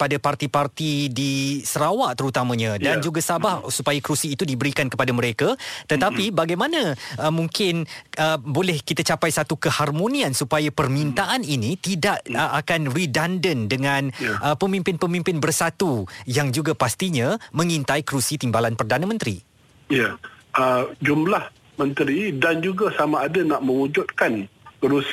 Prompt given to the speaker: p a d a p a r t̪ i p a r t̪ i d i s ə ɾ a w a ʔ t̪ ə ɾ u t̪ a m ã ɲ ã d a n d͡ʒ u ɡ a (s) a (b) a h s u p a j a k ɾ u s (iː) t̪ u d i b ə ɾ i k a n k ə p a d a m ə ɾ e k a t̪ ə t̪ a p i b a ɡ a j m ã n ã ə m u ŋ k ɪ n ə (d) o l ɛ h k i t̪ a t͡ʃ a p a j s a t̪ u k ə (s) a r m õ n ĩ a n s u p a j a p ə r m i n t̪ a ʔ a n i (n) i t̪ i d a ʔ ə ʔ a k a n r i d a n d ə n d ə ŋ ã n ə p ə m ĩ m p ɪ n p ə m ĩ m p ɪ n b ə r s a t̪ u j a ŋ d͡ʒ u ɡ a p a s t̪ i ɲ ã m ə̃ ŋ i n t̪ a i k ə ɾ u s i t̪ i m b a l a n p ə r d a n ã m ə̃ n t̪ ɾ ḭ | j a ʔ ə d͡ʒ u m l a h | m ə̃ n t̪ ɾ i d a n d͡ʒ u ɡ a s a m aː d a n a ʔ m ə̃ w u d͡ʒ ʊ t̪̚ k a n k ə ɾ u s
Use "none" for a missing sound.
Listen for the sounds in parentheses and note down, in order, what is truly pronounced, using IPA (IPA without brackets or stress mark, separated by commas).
s, b, iː, b, h, n